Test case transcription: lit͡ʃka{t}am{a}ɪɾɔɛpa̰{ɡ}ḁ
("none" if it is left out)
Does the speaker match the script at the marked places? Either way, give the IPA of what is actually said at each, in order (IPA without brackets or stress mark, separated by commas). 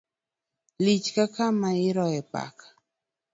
k, a, k